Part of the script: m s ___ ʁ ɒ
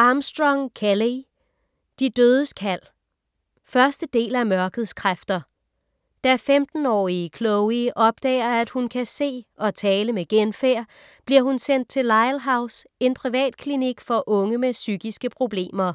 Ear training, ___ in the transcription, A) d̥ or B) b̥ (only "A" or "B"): A